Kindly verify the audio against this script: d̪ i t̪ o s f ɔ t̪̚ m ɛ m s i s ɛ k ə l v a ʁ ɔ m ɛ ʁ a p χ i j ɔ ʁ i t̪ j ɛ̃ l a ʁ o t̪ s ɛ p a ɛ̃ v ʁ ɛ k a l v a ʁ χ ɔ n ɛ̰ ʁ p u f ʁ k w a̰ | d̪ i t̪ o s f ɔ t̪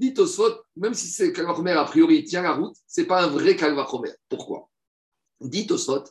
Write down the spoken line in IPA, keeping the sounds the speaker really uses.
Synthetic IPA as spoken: d̪ i t̪ o s f ɔ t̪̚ m ɛ m s i s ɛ k a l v a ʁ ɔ m ɛ ʁ a p χ i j ɔ ʁ i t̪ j ɛ̃ l a ʁ u t̪ s ɛ p a ɛ̃ v ʁ ɛ k a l v a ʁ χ ɔ m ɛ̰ ʁ p u ʁ k w a̰ | d̪ i t̪ o s f ɔ t̪